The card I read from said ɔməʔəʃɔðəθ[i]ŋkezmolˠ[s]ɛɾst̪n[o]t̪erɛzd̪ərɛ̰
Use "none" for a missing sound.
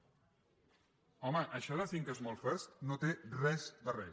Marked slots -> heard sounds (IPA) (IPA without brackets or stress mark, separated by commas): i, f, o